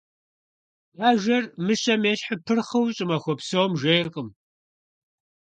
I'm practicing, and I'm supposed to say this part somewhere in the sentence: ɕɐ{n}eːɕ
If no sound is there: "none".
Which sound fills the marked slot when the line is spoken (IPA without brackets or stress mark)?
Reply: m